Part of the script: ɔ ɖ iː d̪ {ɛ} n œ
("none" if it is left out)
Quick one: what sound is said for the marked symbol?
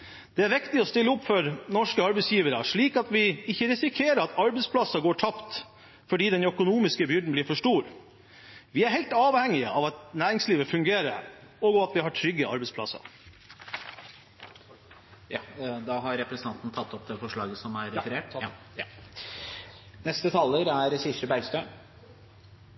ɛ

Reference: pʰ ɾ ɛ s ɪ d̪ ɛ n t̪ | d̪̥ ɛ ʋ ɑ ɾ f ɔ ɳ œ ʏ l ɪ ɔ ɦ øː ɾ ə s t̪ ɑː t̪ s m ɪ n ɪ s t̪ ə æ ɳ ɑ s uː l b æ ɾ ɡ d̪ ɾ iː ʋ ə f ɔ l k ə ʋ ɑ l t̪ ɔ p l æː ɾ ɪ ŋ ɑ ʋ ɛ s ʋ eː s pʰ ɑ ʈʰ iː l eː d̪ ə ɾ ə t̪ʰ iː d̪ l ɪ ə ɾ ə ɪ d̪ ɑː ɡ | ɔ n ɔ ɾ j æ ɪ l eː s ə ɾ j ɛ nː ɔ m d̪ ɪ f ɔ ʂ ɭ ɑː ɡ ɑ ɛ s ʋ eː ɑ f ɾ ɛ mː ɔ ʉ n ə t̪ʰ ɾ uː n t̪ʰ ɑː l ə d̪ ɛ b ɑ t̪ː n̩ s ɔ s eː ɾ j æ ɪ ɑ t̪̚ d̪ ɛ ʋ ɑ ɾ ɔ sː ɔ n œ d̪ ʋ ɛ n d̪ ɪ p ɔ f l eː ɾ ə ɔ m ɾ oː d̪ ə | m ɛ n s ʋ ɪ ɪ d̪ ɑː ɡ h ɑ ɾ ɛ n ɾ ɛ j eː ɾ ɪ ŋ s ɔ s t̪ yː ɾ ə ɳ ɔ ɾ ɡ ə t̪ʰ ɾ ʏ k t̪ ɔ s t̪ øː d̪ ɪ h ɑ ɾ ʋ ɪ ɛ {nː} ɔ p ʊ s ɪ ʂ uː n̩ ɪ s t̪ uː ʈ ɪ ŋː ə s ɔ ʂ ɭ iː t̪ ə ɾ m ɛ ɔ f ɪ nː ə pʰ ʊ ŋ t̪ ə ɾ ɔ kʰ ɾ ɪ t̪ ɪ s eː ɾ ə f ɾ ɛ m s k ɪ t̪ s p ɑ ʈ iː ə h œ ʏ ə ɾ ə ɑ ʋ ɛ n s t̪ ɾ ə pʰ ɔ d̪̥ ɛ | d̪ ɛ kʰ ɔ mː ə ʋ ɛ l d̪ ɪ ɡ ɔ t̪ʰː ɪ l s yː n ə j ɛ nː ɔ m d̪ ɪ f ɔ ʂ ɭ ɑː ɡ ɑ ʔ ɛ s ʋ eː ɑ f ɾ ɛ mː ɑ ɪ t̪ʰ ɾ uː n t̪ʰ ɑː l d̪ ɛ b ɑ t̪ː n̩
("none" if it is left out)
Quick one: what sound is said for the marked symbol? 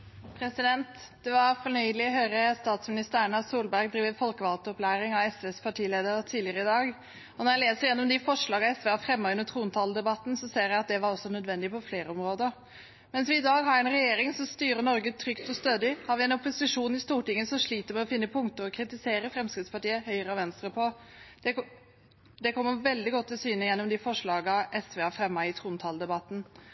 n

